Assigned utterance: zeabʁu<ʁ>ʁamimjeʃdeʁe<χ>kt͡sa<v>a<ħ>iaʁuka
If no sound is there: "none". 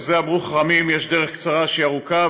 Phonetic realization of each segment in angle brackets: χ, χ, ʁ, ʃ

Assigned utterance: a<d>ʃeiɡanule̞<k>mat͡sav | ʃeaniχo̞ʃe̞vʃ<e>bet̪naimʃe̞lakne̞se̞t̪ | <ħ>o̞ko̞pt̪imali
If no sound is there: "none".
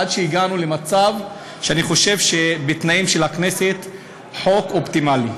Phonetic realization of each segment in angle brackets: d, none, e, ħ

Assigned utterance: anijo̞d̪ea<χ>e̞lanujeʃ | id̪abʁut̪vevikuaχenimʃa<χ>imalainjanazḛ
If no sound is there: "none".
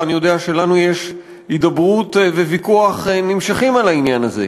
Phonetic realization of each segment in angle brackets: ʃ, χ

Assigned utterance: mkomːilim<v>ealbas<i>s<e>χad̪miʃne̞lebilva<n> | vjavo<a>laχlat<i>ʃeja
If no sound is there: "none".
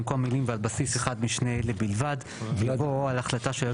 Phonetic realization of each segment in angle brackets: v, i, e, d, a, a

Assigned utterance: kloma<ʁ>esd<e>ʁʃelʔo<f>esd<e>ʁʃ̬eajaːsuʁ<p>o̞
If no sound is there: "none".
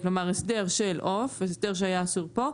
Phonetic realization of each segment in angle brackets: ʁ, e, f, e, p

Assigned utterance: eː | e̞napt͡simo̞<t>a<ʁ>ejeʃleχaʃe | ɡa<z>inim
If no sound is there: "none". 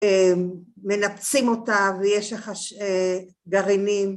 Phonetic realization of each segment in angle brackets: t, v, ʁ

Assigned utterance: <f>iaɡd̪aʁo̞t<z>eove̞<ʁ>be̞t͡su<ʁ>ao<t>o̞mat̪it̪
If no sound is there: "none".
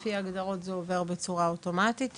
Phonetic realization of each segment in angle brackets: f, z, ʁ, ʁ, t

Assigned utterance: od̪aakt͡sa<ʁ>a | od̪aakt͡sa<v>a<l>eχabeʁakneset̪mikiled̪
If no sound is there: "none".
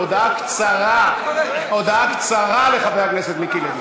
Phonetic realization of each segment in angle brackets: ʁ, ʁ, l

